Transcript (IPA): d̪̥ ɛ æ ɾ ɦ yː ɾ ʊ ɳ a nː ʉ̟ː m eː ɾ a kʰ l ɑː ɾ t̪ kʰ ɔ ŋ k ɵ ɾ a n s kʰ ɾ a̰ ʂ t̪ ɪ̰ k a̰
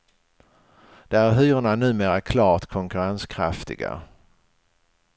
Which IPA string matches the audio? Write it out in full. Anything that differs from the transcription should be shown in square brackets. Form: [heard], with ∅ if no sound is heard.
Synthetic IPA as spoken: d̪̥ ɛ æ ɾ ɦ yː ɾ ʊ ɳ a [n] ʉ̟ː m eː ɾ a kʰ l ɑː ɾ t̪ kʰ ɔ ŋ k ɵ ɾ a n s kʰ ɾ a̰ [f] t̪ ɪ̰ [ɡ] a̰